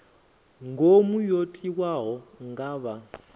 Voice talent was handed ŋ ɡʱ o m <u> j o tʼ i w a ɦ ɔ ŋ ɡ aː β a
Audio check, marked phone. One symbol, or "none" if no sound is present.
u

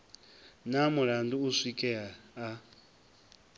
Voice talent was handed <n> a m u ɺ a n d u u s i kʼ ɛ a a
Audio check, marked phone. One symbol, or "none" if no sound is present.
n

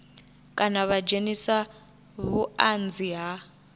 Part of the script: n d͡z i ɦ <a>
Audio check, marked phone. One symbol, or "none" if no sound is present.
a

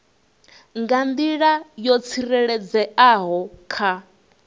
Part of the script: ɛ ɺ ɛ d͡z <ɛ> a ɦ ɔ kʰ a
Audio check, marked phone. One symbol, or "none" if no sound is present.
ɛ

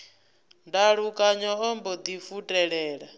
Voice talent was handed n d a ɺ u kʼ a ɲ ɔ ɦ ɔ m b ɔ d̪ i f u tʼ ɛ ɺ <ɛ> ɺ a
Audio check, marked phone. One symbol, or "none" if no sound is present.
ɛː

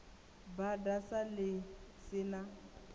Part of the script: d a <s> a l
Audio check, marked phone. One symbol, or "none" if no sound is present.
s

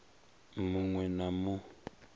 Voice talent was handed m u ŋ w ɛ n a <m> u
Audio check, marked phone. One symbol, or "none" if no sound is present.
m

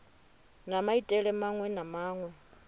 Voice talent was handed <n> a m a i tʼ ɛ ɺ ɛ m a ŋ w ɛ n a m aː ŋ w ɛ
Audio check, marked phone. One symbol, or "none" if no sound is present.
n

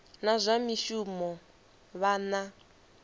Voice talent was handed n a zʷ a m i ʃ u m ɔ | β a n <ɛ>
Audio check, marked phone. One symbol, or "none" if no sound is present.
a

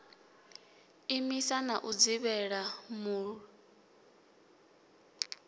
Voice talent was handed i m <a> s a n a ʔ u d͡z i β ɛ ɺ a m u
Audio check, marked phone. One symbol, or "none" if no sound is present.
i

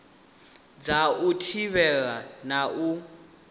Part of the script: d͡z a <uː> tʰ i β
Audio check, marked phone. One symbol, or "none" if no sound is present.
u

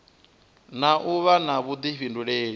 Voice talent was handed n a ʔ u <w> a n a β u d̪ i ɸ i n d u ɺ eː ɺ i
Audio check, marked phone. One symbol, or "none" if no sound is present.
β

